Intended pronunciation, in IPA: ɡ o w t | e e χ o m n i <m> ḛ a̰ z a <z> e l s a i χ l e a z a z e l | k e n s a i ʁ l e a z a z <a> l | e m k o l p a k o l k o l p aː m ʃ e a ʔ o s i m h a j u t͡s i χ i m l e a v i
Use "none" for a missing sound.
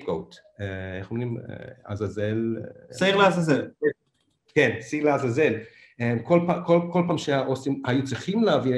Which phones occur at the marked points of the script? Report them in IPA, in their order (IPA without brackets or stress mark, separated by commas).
m, z, e